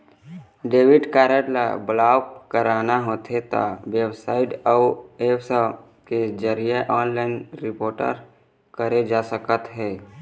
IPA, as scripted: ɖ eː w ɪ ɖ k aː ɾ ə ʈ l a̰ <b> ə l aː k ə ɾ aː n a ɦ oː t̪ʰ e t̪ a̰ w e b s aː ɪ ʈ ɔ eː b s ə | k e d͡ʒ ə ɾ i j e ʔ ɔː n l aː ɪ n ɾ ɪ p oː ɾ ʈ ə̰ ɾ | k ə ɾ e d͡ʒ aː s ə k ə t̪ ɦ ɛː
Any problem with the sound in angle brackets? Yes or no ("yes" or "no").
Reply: no